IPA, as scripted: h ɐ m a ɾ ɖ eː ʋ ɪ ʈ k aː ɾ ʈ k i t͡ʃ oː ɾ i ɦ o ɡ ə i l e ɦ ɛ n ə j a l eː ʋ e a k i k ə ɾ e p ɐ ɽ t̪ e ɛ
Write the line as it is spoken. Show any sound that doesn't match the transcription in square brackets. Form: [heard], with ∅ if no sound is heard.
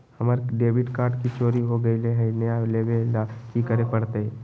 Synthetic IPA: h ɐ m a ɾ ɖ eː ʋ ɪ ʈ k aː ɾ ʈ k i t͡ʃ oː ɾ i ɦ o ɡ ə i l e ɦ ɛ n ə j a l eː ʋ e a k i k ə ɾ e p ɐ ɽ t̪ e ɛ